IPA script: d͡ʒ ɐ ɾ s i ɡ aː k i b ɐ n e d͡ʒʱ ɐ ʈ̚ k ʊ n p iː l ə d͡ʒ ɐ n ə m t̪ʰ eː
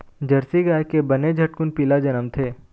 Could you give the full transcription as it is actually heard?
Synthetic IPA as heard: d͡ʒ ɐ ɾ s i ɡ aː k e b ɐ n e d͡ʒʱ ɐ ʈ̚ k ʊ n p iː l a d͡ʒ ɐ n ə m t̪ʰ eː